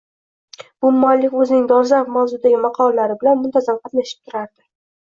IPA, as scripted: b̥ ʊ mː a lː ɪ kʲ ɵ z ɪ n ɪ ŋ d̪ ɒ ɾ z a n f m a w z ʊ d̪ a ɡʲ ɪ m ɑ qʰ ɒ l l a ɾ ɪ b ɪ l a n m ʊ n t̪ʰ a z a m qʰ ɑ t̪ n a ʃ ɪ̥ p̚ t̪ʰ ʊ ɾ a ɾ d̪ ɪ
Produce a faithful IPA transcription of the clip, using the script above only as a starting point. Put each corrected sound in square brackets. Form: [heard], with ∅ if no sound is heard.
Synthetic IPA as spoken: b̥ ʊ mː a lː ɪ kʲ ɵ z ɪ n ɪ ŋ d̪ ɒ ɾ z a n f m a w z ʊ d̪ a ɡʲ ɪ m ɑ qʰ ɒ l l a ɾ ɪ b ɪ l a n m ʊ n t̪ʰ a z a m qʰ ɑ t̪ n a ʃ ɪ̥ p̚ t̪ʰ ʊ ɾ a ɾ d̪ ɪ